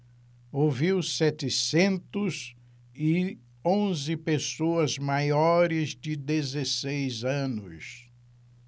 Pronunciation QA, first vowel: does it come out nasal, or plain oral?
oral